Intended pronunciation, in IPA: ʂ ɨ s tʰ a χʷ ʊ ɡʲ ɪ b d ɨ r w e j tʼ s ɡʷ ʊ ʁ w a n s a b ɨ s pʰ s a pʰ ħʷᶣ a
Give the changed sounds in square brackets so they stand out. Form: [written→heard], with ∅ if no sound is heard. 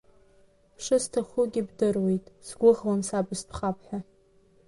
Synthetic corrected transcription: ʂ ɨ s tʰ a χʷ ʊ ɡʲ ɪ b d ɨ r w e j tʼ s ɡʷ ʊ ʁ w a n s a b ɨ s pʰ [s→χ] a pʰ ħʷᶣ a